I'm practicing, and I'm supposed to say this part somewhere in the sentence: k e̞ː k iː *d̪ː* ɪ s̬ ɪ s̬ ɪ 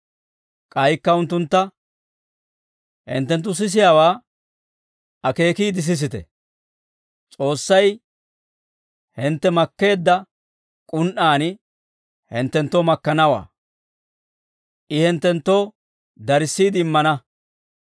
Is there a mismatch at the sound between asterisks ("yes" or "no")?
yes